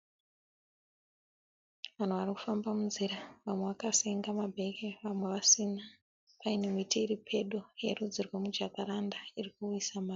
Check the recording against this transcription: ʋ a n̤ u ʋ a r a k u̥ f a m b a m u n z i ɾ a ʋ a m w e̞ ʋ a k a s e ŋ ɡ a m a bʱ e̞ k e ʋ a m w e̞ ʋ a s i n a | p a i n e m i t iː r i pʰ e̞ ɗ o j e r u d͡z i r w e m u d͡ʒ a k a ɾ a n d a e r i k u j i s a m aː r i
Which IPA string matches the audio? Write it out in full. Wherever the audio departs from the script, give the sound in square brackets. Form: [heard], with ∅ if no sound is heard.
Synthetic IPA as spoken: ʋ a n̤ u ʋ a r [i] k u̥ f a m b a m u n z i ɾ a ʋ a m w e̞ ʋ a k a s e ŋ ɡ a m a bʱ e̞ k e ʋ a m w e̞ ʋ a s i n a | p a i n e m i t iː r i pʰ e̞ ɗ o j e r u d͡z i r w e m u d͡ʒ a k a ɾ a n d a [i] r i k u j i s a m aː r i